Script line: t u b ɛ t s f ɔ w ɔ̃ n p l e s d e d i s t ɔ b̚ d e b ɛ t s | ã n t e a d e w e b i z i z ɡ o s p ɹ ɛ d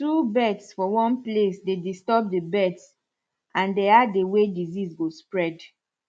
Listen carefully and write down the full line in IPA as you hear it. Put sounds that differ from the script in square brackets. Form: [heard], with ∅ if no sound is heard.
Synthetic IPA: t u b ɛ t s f ɔ w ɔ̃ n p l e s d e d i s t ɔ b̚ d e b ɛ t s | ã n [d] e a d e w e [d] i z i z ɡ o s p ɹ ɛ d